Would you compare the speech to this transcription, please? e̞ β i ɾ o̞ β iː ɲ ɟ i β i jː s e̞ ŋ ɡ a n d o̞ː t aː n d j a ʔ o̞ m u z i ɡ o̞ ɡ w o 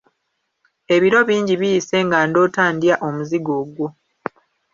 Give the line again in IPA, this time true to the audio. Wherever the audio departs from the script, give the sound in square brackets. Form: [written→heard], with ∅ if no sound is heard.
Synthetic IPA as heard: e̞ β i ɾ o̞ β iː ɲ ɟ i β i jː s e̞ ŋ ɡ a n d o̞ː t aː n d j a ʔ o̞ m u z i ɡ o̞ ɡ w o